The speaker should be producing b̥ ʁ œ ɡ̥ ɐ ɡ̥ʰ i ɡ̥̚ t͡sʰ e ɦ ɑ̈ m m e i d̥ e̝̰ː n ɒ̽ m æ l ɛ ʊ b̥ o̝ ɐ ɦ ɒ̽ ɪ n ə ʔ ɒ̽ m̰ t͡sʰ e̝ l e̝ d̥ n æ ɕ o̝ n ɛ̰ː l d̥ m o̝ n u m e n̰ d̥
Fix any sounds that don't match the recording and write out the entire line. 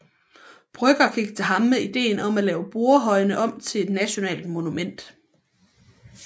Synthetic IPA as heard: b̥ ʁ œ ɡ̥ ɐ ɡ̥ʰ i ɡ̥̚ t͡sʰ e ɦ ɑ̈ m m e i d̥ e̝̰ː n ɒ̽ m æ l ɛː ʊ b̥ o̝ ɐ ɦ ɒ̽ ɪ n ə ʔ ɒ̽ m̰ t͡sʰ e̝ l e̝ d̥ n æ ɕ o̝ n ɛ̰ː l d̥ m o̝ n u m e n̰ d̥